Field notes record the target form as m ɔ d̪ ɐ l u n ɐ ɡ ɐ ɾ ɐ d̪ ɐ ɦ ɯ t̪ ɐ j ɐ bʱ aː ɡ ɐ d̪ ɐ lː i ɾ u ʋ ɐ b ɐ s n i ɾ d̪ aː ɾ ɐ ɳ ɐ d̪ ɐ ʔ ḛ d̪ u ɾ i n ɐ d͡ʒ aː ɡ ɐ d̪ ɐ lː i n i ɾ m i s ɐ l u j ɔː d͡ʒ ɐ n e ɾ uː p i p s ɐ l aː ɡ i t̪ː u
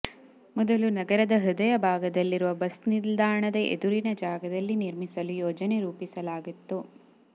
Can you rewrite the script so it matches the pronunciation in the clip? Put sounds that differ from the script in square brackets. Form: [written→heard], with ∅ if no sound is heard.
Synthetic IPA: m ɔ d̪ ɐ l u n ɐ ɡ ɐ ɾ ɐ d̪ ɐ ɦ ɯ [t̪→d̪] ɐ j ɐ bʱ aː ɡ ɐ d̪ ɐ lː i ɾ u ʋ ɐ b ɐ s n i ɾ d̪ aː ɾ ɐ ɳ ɐ d̪ ɐ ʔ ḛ d̪ u ɾ i n ɐ d͡ʒ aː ɡ ɐ d̪ ɐ lː i n i ɾ m i s ɐ l u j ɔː d͡ʒ ɐ n e ɾ uː p i [p→∅] s ɐ l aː ɡ i t̪ː u